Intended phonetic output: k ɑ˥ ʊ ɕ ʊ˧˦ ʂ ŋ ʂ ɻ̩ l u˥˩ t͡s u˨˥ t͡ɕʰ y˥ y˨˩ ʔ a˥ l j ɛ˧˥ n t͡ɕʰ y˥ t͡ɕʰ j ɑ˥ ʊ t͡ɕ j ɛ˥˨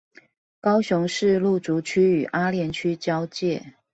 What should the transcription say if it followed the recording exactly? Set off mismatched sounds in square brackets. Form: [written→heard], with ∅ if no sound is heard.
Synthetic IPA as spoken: k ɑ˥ ʊ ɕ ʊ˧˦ [ʂ→∅] ŋ ʂ ɻ̩ l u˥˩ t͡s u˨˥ t͡ɕʰ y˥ y˨˩ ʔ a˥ l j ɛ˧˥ n t͡ɕʰ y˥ [t͡ɕʰ→t͡ɕ] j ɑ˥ ʊ t͡ɕ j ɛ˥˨